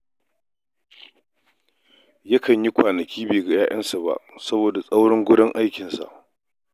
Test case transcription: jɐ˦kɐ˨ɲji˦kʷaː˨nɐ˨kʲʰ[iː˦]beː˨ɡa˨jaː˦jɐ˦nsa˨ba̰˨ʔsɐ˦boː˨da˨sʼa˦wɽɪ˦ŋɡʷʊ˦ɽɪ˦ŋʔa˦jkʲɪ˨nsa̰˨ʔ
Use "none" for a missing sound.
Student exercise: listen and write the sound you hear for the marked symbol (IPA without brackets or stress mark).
iː˦